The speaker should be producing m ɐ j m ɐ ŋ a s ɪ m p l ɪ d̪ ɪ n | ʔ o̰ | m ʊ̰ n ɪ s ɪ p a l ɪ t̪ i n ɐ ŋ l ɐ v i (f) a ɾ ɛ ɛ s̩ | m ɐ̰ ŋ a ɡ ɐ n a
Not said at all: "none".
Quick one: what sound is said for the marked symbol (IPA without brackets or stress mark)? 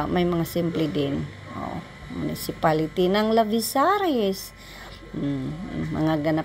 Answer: s